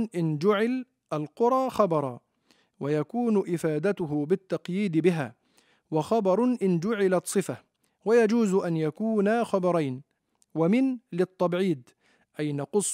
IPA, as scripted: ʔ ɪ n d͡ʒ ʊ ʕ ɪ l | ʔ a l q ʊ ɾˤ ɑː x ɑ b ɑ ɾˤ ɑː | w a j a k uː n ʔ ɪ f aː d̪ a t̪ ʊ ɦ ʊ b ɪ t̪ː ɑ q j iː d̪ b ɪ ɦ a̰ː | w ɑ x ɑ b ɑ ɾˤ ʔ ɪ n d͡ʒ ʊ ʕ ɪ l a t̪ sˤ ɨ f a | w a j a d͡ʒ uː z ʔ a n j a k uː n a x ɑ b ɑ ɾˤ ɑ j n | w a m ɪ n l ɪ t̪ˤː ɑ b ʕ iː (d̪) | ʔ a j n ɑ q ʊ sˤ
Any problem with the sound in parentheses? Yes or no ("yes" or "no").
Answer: no